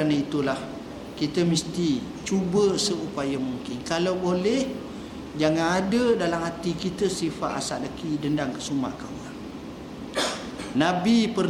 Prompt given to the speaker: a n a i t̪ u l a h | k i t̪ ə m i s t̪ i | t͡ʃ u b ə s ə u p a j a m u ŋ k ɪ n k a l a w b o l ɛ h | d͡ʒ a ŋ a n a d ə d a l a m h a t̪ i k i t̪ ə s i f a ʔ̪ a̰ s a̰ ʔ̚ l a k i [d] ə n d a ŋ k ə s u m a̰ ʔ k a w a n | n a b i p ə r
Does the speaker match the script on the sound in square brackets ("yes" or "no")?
yes